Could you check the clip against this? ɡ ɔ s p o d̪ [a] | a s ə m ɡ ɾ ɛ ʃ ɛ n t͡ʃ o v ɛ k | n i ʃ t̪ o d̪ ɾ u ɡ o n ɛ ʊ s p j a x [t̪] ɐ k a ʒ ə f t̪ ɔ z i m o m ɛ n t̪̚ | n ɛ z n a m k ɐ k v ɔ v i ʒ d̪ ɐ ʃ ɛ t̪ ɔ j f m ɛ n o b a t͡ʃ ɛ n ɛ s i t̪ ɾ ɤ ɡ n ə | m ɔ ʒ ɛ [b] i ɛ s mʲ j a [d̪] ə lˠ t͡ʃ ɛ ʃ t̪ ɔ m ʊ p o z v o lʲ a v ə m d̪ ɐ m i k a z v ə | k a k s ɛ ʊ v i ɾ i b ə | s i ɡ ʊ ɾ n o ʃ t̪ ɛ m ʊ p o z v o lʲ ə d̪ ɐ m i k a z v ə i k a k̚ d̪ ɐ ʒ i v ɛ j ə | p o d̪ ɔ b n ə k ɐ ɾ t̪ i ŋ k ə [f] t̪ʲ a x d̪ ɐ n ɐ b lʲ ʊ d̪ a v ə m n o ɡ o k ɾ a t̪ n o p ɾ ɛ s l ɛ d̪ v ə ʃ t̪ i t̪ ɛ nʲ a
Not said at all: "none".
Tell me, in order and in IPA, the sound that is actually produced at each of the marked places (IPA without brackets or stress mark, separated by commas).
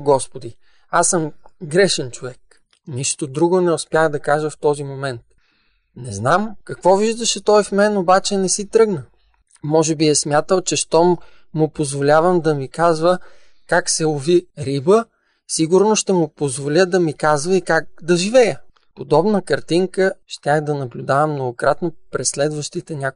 i, d̪, b, t̪, ʃ